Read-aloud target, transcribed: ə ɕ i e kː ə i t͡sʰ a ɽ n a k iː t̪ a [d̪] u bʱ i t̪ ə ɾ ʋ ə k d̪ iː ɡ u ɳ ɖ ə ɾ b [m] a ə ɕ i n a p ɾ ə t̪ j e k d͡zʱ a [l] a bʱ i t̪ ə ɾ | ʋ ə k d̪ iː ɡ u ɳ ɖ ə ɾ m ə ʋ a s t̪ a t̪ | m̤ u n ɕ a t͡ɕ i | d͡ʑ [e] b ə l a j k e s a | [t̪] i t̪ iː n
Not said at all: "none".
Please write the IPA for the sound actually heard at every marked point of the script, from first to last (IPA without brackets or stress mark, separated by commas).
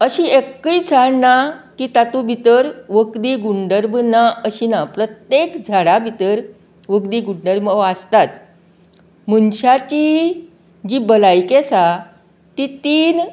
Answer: t̪, n, ɽ, i, t̪